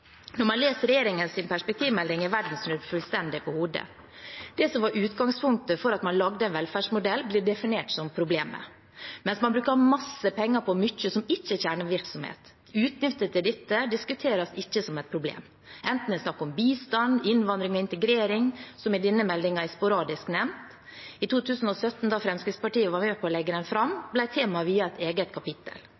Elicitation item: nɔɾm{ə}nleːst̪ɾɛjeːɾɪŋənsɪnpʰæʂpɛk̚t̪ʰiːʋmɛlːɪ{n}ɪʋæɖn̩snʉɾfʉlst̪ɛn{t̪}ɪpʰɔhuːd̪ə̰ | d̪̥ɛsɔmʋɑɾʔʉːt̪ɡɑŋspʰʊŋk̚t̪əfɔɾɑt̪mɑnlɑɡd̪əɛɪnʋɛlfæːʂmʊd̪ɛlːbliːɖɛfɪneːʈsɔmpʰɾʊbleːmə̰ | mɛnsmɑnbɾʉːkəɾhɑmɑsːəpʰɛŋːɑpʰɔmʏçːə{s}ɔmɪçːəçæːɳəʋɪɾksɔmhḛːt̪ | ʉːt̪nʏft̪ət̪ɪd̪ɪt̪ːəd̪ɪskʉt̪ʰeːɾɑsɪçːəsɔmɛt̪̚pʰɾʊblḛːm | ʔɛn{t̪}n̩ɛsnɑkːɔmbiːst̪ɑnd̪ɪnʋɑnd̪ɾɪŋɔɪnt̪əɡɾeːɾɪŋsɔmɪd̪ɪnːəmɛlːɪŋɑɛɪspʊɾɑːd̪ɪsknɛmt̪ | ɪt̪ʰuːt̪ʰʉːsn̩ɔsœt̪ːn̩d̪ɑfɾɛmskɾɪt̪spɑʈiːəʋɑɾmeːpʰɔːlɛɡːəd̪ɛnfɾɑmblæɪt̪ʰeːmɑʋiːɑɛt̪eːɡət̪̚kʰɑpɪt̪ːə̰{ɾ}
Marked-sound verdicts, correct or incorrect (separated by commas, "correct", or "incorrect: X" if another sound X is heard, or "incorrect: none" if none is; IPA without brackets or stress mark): incorrect: ɑ, incorrect: ŋ, incorrect: d̪, correct, correct, incorrect: l